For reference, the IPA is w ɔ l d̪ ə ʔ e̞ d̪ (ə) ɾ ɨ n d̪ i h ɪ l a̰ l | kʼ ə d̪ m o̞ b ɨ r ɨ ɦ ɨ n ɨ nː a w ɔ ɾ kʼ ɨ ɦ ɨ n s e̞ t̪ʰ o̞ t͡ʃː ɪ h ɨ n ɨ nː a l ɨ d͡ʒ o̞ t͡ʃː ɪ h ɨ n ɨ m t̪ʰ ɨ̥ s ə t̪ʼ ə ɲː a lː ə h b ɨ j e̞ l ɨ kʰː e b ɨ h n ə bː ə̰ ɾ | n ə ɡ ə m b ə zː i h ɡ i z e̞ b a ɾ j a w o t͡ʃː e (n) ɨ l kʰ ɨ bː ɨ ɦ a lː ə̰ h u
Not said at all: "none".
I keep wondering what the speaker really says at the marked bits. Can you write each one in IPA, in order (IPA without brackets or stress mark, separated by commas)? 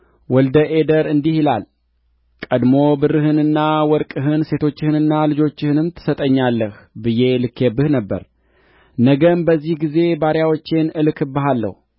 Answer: ə, n